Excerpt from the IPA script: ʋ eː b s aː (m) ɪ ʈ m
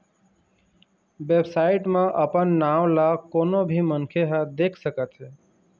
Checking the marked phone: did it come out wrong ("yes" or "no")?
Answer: yes